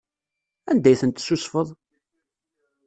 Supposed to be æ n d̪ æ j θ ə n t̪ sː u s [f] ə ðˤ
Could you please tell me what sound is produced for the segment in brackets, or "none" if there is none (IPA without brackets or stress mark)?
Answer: f